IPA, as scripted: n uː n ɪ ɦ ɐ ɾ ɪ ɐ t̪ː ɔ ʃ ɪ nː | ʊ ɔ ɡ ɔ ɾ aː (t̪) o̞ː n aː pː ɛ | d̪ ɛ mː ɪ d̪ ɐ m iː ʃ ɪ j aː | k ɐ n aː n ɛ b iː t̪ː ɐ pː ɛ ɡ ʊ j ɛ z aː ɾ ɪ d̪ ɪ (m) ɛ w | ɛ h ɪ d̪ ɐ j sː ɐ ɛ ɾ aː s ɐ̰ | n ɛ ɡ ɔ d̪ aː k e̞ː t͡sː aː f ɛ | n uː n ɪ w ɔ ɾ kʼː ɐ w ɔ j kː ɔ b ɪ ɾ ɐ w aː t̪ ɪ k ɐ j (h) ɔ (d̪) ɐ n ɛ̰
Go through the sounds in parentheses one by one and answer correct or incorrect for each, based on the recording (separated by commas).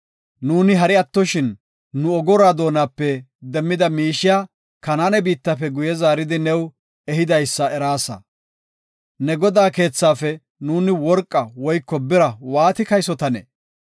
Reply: incorrect, incorrect, incorrect, incorrect